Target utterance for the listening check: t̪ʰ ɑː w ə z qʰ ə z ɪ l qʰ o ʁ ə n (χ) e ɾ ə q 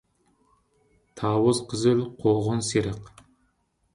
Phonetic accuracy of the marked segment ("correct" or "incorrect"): incorrect